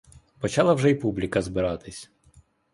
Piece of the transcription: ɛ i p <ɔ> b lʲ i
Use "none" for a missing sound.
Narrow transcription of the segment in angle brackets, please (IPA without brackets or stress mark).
u